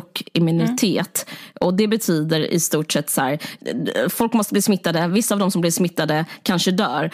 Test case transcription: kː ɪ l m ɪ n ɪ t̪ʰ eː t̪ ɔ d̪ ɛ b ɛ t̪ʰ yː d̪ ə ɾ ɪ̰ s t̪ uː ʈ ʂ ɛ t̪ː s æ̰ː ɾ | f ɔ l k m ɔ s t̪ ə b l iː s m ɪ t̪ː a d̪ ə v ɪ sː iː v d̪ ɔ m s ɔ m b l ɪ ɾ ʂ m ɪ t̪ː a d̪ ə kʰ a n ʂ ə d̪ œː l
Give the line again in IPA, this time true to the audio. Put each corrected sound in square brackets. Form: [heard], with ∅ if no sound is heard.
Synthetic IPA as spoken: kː ɪ [∅] m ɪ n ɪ t̪ʰ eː t̪ ɔ d̪ ɛ b ɛ t̪ʰ yː d̪ ə ɾ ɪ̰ s t̪ uː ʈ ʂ ɛ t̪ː s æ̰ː ɾ | f ɔ l k m ɔ s t̪ ə b l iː s m ɪ t̪ː a d̪ ə v ɪ sː [aː] v d̪ ɔ m s ɔ m b l ɪ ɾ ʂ m ɪ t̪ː a d̪ ə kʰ a n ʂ ə d̪ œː [ɾ]